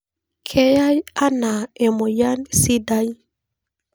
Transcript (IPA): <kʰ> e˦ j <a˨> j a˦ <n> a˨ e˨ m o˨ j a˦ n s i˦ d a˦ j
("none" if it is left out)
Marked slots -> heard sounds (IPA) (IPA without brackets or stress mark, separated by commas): kʰ, a˦, n